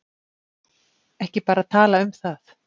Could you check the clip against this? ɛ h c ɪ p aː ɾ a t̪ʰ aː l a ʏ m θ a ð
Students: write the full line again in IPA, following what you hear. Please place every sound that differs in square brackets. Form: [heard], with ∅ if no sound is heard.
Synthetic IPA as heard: ɛ h c ɪ p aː ɾ a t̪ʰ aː l a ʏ m θ a [θ]